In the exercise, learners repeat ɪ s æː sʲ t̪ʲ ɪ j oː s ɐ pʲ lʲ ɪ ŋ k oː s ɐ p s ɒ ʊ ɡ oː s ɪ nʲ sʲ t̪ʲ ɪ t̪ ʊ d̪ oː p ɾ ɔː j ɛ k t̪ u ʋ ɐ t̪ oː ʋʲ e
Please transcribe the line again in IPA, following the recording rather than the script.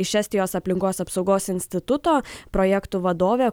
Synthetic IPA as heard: ɪ ʃ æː sʲ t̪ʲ ɪ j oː s ɐ pʲ lʲ ɪ ŋ k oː s ɐ p s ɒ ʊ ɡ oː s ɪ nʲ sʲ t̪ʲ ɪ t̪ ʊ t̪ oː p ɾ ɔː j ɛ k t̪ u ʋ ɐ d̪ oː ʋʲ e